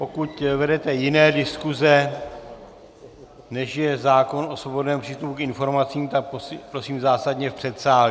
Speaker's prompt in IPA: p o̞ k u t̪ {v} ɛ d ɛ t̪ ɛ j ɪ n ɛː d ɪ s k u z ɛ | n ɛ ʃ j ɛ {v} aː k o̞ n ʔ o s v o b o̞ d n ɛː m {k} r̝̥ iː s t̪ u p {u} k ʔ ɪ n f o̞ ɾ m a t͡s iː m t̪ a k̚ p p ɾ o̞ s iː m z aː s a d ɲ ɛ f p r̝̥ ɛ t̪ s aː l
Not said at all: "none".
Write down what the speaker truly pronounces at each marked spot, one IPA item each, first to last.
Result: v, z, p, u

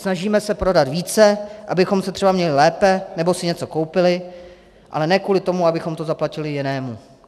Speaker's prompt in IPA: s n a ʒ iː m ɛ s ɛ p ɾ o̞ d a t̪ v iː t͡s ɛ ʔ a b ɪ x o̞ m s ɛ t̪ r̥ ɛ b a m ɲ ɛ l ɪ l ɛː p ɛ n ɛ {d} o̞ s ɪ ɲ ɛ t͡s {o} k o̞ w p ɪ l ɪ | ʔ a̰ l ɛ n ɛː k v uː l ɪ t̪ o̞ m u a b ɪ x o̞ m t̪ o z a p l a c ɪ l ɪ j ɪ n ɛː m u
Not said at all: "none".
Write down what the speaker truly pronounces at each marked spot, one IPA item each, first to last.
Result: b, o

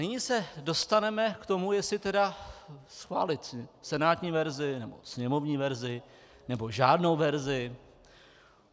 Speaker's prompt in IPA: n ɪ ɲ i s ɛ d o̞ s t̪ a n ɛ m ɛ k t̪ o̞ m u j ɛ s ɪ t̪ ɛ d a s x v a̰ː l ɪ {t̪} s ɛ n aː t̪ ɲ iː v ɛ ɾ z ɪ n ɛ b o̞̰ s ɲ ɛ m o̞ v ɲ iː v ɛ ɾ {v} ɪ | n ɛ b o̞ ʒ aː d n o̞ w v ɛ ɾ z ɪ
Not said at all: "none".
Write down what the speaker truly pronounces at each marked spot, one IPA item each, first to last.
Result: t̪, z

